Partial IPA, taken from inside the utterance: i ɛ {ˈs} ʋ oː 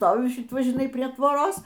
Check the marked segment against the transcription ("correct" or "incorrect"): incorrect